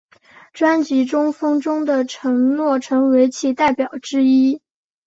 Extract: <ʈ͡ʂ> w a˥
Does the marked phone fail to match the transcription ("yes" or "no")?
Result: no